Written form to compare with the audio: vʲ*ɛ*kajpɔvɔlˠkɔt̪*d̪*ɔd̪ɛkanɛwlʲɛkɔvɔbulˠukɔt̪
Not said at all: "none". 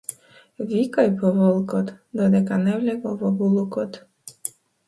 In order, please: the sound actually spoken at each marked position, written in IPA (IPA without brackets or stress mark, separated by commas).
i, d̪